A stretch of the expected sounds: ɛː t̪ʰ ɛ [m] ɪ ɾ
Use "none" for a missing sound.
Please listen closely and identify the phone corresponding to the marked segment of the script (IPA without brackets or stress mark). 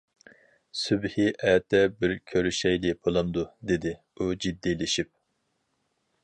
b